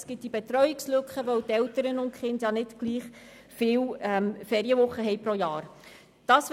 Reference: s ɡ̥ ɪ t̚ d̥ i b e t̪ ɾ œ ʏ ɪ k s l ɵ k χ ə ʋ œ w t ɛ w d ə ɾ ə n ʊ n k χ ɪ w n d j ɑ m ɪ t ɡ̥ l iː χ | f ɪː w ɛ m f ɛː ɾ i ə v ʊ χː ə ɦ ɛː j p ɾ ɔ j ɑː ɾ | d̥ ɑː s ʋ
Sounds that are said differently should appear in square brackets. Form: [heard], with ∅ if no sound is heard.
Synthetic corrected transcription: s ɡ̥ ɪ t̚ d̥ i b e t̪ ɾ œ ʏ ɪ k s l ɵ k χ ə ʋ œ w t ɛ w [t] ə ɾ ə n ʊ n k χ ɪ [∅] n d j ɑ [n] ɪ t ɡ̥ l iː χ | f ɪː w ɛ m f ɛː ɾ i ə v ʊ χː ə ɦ [ɛ] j p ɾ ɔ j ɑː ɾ | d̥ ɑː s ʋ